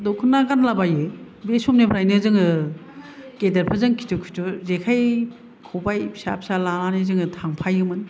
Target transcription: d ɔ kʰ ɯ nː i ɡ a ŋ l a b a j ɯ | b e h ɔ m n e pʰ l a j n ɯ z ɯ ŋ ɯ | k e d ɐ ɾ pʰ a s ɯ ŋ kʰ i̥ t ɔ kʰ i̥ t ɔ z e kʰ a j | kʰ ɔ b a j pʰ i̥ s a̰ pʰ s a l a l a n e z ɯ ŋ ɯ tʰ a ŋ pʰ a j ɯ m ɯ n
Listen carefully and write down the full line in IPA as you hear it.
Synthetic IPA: d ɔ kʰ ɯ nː a ɡ a n l a b a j ɯ | b e s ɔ m n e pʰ ɾ a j n ɯ z ɯ ŋ ɯ | k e d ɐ ɾ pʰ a z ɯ ŋ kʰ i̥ t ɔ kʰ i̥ t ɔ z e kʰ a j | kʰ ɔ b a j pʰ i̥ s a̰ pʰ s a l a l a n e z ɯ ŋ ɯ tʰ a ŋ pʰ a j ɯ m ɯ n